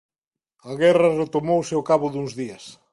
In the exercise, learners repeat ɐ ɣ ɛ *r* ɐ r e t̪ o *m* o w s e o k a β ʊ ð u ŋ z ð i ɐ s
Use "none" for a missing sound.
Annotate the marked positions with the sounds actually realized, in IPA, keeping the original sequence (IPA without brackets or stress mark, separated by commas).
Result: r, m